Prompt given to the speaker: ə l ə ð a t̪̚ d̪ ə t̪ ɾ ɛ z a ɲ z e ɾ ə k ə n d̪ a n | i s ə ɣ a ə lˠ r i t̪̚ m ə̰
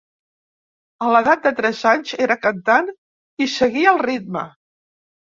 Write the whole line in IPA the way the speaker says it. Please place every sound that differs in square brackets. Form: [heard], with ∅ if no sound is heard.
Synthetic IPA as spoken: ə l ə ð a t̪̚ d̪ ə t̪ ɾ ɛ z a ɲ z e ɾ ə k ə n [t̪] a n | i s ə ɣ [i] ə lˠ r i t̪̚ m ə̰